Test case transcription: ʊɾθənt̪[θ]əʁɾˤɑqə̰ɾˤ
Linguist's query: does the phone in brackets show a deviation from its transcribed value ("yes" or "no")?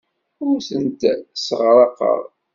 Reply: yes